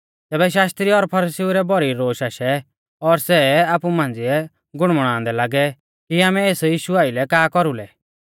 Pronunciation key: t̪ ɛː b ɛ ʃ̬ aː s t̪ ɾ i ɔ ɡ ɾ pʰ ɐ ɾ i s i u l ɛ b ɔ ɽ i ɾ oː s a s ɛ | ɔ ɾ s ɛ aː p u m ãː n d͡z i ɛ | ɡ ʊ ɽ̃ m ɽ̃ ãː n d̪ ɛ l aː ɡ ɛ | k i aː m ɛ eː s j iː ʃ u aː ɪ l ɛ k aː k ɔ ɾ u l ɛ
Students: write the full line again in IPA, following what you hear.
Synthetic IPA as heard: t̪ ɛː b ɛ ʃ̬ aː s t̪ ɾ i ɔ ɾ pʰ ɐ ɾ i s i u ɾ ɛ b ɔ ɾ i ɾ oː ʃ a ʃ ɛ | ɔ ɾ s ɛ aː p u m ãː n d͡z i ɛ | ɡ ʊ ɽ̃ m ɽ̃ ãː n d̪ ɛ l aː ɡ ɛ | k i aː m ɛ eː s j iː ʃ u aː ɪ l ɛ k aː k ɔ ɾ u l ɛ